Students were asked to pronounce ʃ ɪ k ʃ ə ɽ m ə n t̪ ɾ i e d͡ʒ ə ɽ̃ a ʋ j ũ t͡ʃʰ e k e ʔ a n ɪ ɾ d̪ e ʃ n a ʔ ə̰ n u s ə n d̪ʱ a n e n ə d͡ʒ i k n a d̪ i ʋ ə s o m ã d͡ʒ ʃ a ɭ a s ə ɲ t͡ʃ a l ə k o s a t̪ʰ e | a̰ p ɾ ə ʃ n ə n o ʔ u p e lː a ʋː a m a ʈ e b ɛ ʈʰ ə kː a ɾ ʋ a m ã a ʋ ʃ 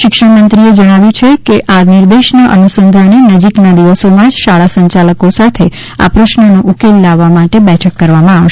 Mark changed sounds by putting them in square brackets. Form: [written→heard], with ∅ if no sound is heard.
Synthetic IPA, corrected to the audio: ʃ ɪ k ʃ ə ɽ m ə n t̪ ɾ i e d͡ʒ ə ɽ̃ a ʋ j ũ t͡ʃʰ e k e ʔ a n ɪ ɾ d̪ e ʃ n a ʔ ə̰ n u s ə n d̪ʱ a n e n ə d͡ʒ i k n a d̪ i ʋ ə s o m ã d͡ʒ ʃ a ɭ a s ə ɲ t͡ʃ a l ə k o s a t̪ʰ e | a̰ p ɾ ə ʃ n ə n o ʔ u [p→k] e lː a ʋː a m a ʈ e b ɛ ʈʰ ə kː [a→ə] ɾ ʋ a m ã a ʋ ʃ